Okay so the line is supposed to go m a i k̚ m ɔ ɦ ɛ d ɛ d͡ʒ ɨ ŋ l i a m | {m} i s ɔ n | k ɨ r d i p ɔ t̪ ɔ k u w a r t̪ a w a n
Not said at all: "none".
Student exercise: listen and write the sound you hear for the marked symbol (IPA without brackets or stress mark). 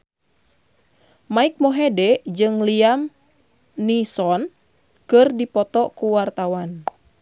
n